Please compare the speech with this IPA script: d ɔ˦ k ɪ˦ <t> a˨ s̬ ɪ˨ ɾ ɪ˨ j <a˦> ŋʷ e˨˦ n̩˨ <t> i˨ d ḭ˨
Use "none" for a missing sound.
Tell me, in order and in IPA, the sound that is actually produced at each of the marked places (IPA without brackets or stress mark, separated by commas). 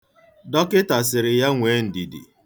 t, a˦, d